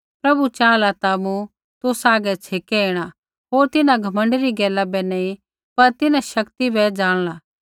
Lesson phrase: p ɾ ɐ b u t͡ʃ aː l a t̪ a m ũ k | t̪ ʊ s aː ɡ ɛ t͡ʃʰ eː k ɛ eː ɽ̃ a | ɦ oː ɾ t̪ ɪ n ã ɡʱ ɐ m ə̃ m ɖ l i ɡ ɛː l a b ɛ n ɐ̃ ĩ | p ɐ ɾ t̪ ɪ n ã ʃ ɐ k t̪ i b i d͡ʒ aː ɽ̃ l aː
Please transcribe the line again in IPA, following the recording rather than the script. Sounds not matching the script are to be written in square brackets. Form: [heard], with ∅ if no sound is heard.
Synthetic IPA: p ɾ ɐ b u t͡ʃ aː l a t̪ a m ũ [∅] | t̪ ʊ s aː ɡ ɛ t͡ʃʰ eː k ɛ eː ɽ̃ a | ɦ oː ɾ t̪ ɪ n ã ɡʱ ɐ m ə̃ [ɳ] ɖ [ɾ] i ɡ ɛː l a b ɛ n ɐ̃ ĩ | p ɐ ɾ t̪ ɪ n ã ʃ ɐ k t̪ i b [ɛ] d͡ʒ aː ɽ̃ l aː